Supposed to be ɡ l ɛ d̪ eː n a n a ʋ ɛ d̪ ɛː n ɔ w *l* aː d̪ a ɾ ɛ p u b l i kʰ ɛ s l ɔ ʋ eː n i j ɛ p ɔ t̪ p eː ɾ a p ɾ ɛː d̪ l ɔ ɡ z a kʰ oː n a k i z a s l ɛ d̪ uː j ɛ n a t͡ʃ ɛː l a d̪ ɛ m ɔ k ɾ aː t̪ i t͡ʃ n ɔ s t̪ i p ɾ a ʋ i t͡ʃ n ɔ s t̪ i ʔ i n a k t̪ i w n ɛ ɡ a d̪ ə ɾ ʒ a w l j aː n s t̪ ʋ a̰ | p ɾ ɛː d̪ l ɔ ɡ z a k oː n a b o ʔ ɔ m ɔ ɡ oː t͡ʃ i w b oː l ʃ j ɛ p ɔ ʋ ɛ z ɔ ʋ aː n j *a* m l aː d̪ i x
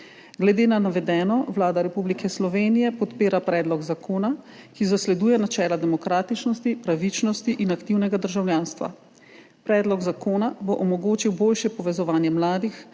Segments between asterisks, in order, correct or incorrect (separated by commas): correct, incorrect